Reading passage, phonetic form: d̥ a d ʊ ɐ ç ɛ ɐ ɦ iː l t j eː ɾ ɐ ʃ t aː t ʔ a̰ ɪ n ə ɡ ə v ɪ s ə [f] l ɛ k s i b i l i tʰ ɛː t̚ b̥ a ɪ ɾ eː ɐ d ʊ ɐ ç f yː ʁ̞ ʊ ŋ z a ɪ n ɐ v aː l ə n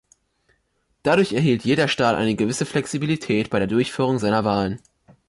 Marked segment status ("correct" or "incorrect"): correct